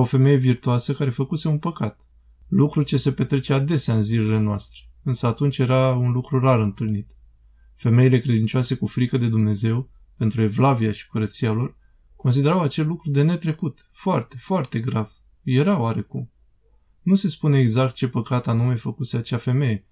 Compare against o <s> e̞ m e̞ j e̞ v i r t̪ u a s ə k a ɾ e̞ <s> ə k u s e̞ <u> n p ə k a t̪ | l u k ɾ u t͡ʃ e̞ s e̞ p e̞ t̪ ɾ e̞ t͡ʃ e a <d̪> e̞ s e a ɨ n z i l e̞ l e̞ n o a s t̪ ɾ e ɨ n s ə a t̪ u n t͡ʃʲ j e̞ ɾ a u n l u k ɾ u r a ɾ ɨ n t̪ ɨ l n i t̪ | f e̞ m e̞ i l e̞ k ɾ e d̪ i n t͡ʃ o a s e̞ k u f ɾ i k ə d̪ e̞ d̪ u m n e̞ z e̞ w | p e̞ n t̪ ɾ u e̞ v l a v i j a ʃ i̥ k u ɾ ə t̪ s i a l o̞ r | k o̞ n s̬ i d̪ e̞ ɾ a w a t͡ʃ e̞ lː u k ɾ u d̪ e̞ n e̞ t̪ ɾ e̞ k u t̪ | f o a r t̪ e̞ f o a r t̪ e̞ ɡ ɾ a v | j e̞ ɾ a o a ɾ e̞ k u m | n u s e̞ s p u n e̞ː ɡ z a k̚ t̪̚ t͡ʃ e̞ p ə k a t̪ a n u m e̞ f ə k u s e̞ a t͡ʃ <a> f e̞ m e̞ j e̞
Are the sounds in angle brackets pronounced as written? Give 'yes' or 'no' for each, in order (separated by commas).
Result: no, no, yes, yes, yes